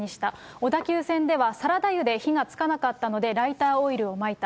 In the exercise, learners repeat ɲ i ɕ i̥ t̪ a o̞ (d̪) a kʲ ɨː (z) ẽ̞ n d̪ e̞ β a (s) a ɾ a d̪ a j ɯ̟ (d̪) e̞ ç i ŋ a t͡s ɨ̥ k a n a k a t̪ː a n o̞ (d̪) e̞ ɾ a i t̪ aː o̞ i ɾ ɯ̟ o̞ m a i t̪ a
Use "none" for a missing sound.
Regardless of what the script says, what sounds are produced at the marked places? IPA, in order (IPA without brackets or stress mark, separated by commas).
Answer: d̪, s, s, d̪, d̪